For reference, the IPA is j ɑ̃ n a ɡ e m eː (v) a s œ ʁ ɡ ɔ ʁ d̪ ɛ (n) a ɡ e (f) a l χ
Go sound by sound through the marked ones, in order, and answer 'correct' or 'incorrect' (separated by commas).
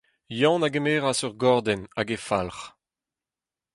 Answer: incorrect, correct, correct